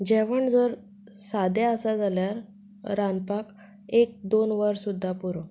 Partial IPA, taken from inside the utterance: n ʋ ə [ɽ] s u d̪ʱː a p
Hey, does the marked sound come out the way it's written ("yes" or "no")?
no